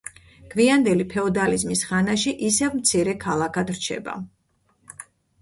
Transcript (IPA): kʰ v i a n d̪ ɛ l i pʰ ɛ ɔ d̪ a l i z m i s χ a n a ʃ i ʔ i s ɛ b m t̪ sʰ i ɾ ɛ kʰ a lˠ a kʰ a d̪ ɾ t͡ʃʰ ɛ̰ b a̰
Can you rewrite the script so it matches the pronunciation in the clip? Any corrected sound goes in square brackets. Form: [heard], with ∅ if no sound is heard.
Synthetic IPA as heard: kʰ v i a n d̪ ɛ l i pʰ ɛ ɔ d̪ a l i z m i s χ a n a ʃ i ʔ i s ɛ [v] m t̪ sʰ i ɾ ɛ kʰ a lˠ a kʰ a d̪ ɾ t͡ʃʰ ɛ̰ b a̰